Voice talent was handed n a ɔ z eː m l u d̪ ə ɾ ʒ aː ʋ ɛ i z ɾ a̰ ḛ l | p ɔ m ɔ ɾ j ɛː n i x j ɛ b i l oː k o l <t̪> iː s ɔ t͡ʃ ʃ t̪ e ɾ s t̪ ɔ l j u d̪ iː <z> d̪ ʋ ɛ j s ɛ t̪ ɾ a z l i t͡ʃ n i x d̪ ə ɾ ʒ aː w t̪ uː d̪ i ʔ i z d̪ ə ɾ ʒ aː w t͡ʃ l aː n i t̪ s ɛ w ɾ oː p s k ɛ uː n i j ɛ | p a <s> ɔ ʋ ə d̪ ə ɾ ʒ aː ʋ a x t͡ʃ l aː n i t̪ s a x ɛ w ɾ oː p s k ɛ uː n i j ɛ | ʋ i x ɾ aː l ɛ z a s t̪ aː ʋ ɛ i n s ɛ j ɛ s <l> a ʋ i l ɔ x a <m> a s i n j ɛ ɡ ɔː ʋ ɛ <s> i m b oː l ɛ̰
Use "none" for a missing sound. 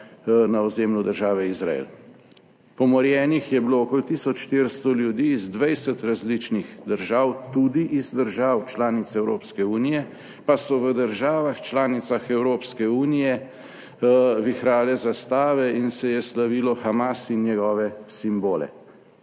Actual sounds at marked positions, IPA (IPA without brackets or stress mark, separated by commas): t̪, z, s, l, m, s